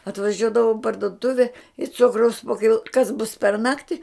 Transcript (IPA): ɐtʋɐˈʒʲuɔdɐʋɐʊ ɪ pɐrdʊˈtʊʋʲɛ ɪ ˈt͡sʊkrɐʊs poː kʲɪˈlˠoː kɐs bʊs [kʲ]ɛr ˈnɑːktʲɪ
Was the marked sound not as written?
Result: yes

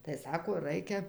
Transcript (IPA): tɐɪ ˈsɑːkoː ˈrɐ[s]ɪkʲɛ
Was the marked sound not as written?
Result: yes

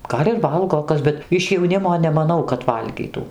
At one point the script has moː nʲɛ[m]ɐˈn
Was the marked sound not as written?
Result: no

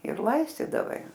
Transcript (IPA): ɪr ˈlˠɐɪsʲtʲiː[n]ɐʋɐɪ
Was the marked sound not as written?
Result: yes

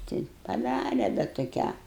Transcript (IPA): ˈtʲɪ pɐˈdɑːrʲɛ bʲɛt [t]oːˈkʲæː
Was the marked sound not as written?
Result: no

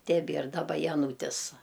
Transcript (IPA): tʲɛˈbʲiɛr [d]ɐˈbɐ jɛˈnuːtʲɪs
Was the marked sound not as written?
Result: no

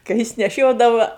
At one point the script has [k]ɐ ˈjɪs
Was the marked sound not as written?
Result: no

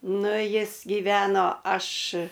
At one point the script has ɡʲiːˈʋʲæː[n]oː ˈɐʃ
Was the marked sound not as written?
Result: no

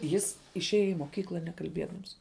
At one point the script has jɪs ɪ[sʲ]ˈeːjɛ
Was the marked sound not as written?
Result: yes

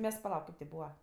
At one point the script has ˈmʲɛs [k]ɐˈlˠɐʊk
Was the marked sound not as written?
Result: yes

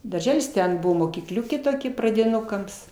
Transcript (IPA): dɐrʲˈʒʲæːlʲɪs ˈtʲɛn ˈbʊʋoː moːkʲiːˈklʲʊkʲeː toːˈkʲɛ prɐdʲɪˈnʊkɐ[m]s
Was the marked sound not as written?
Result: no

